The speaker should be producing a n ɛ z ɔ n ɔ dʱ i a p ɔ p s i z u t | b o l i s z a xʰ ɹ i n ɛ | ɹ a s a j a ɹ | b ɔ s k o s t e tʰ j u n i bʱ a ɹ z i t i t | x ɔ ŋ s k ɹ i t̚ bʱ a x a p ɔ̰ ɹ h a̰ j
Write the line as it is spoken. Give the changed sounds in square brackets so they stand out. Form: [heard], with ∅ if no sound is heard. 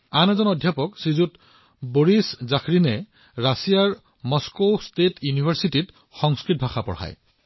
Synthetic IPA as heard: a n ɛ z ɔ n ɔ dʱ [j] a p ɔ [k] s i z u t | b o [ɹ] i s z a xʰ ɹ i n ɛ | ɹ a s [i] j a ɹ | [m] ɔ s k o s t e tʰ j u n i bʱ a ɹ [s] i t i t | x ɔ ŋ s k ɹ i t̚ bʱ a x a p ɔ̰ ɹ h a̰ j